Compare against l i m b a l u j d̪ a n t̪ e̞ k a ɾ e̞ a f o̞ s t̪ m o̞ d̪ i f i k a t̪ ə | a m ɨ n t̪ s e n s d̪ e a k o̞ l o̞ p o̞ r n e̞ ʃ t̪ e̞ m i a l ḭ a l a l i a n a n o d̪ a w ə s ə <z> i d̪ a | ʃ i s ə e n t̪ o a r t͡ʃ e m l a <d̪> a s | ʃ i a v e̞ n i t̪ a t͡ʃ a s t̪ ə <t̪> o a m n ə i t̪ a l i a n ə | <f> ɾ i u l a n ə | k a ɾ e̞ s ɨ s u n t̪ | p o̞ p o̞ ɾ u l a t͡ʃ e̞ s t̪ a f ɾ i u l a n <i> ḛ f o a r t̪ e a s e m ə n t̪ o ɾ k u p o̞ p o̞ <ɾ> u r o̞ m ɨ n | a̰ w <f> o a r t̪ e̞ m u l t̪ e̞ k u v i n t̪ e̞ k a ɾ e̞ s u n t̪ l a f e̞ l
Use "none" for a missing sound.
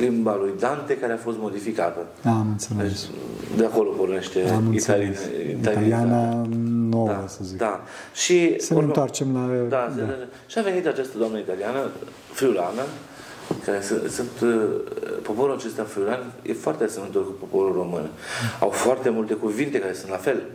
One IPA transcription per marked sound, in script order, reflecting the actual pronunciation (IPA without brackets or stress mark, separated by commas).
z, d̪, d̪, f, j, ɾ, f